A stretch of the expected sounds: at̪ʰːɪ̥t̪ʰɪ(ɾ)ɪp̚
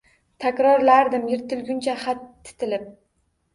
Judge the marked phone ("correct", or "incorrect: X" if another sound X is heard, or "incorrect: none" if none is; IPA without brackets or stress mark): incorrect: l